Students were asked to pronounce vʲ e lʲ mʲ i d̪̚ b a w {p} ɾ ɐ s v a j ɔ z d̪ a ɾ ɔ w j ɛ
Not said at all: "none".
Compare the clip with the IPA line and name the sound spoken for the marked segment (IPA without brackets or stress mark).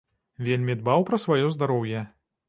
p